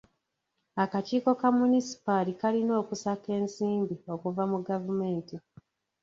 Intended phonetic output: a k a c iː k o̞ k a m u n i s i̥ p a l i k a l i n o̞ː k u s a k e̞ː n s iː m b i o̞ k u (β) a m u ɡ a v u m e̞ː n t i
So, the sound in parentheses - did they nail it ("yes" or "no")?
no